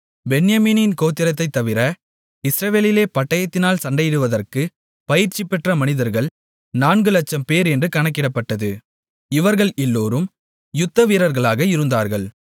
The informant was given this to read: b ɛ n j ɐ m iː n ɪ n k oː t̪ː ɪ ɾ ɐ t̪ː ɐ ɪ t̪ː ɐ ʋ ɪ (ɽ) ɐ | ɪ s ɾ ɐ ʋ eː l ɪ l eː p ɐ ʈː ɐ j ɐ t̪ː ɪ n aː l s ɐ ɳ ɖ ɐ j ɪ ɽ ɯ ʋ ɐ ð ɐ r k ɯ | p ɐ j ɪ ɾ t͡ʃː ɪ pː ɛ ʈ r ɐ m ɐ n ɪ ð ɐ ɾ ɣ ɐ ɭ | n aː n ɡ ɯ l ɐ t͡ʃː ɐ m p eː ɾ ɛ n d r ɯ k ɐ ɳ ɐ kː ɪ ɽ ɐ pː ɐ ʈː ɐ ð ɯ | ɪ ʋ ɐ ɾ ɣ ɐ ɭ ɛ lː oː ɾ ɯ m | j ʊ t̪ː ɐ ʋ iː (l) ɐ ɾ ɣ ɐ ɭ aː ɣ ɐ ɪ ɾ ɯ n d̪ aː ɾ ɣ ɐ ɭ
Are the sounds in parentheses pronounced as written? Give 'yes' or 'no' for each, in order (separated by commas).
no, no